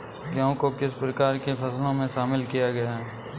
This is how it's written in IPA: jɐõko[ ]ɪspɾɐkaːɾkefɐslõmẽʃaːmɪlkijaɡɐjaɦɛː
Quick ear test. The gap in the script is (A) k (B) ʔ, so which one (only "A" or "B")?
A